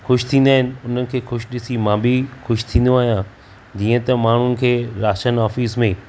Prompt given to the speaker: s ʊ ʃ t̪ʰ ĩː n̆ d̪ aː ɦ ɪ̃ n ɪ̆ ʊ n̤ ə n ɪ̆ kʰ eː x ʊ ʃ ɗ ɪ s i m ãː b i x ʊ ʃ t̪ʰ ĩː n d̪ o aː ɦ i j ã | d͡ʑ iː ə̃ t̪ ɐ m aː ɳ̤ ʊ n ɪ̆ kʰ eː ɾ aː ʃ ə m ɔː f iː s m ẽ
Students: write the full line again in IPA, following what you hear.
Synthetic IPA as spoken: x ʊ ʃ t̪ʰ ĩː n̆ d̪ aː ɦ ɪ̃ n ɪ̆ ʊ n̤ ə n ɪ̆ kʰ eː x ʊ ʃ ɗ ɪ s i m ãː b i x ʊ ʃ t̪ʰ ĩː n d̪ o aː ɦ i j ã | d͡ʑ iː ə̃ t̪ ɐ m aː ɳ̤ ʊ n ɪ̆ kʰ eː ɾ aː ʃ ə n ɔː f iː s m ẽ